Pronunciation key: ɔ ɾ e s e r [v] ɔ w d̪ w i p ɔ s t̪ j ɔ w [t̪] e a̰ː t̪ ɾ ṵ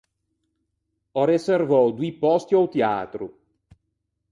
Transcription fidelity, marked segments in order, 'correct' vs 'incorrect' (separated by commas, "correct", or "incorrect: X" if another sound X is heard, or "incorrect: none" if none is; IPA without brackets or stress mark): correct, correct